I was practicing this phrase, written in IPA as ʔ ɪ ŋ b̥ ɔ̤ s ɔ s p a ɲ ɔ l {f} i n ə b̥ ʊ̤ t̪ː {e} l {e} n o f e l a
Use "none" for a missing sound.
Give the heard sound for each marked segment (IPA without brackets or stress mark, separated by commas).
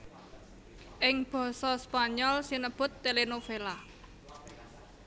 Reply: s, e, e